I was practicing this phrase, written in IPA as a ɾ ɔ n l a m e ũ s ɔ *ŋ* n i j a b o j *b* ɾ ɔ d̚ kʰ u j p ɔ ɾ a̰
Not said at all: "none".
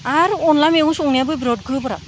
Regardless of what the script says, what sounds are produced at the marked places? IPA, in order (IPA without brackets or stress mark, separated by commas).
ŋ, b